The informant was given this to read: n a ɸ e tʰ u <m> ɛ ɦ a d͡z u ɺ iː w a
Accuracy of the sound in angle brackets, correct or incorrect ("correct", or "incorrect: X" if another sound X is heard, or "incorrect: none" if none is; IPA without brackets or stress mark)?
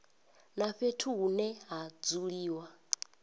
incorrect: n